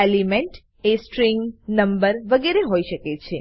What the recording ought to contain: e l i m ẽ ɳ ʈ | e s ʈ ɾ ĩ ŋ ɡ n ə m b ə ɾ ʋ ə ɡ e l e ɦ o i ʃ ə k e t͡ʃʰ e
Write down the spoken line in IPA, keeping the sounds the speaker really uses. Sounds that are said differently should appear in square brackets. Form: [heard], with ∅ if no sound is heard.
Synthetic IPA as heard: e l i m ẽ ɳ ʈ | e s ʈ ɾ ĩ ŋ ɡ n ə m b ə ɾ ʋ ə ɡ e [ɾ] e ɦ o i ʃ ə k e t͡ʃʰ e